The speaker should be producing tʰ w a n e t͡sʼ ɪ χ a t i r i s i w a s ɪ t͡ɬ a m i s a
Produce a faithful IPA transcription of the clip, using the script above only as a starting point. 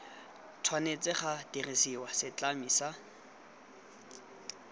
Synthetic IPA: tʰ w a n e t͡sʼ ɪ χ a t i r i s i w a s ɪ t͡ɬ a m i s a